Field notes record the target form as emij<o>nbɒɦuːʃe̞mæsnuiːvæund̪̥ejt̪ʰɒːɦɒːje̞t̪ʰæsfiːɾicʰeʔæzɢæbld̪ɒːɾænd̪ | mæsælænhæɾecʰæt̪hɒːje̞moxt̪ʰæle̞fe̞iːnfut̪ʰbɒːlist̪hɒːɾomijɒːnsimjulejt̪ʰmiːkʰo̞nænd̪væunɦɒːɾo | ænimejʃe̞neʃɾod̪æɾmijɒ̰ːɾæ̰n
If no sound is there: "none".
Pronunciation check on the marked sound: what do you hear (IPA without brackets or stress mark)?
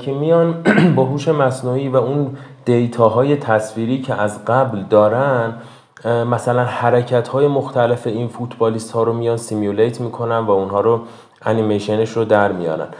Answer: ɒ